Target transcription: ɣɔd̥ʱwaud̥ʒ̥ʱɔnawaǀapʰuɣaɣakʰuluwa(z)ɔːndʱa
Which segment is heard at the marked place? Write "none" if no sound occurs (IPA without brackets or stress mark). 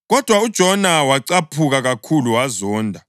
z